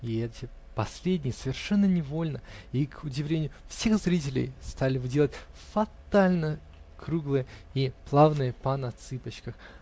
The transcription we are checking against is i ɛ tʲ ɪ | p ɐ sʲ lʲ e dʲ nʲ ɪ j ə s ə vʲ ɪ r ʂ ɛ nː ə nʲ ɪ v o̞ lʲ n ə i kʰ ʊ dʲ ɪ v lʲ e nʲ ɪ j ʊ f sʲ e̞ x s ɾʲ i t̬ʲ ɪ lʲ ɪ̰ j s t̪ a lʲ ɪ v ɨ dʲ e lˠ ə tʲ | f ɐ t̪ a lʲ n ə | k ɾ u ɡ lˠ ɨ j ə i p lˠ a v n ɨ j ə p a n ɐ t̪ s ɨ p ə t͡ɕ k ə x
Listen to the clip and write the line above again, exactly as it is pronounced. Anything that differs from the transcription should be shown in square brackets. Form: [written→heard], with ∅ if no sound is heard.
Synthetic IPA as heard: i ɛ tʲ ɪ | p ɐ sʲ lʲ e dʲ nʲ ɪ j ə s ə vʲ ɪ r ʂ ɛ nː ə nʲ ɪ v o̞ lʲ n ə i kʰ ʊ dʲ ɪ v lʲ e nʲ ɪ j ʊ f sʲ e̞ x [s→z] ɾʲ i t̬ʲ ɪ lʲ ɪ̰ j s t̪ a lʲ ɪ v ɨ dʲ e lˠ ə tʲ | f ɐ t̪ a lʲ n ə | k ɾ u ɡ lˠ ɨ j ə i p lˠ a v n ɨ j ə p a n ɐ t̪ s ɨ p ə t͡ɕ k ə x

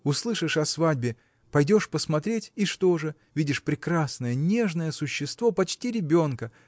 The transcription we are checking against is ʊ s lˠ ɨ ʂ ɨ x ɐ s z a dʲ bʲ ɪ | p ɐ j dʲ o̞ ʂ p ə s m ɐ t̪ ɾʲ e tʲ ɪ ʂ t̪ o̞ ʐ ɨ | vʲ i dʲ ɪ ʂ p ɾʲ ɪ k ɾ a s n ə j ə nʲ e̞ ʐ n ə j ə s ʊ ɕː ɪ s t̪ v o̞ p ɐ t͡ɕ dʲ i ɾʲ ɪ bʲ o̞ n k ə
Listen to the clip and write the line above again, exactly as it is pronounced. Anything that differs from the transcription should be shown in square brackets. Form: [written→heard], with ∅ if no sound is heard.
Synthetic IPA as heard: ʊ s lˠ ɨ ʂ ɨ [x→ʂ] ɐ s [z→v] a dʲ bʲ ɪ | p ɐ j dʲ o̞ ʂ p ə s m ɐ t̪ ɾʲ e tʲ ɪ ʂ t̪ o̞ ʐ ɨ | vʲ i dʲ ɪ ʂ p ɾʲ ɪ k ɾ a s n ə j ə nʲ e̞ ʐ n ə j ə s ʊ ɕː ɪ s t̪ v o̞ p ɐ t͡ɕ [dʲ→tʲ] i ɾʲ ɪ bʲ o̞ n k ə

